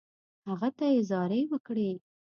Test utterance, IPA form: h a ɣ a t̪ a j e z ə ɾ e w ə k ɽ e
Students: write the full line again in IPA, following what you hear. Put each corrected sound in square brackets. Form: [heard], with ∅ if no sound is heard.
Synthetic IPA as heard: h a ɣ a t̪ a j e z [ɑ] ɾ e w ə k ɽ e